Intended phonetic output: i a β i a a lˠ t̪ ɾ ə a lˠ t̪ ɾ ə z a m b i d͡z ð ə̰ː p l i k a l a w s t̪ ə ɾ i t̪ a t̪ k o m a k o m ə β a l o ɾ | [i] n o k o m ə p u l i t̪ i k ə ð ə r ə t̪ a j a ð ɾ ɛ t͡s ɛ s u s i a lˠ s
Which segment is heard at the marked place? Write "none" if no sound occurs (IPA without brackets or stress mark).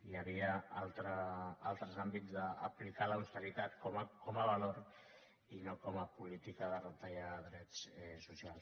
i